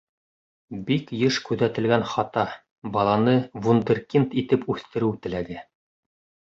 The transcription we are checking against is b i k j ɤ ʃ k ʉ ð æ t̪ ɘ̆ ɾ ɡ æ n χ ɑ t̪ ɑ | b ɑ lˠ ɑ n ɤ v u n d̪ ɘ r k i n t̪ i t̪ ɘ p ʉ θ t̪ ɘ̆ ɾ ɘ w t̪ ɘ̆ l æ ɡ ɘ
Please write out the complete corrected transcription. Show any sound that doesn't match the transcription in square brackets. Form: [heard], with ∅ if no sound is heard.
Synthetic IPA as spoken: b i k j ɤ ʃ k ʉ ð æ t̪ ɘ̆ [l] ɡ æ n χ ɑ t̪ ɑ | b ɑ lˠ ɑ n ɤ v u n d̪ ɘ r k i n t̪ i t̪ ɘ p ʉ θ t̪ ɘ̆ ɾ ɘ w t̪ ɘ̆ l æ ɡ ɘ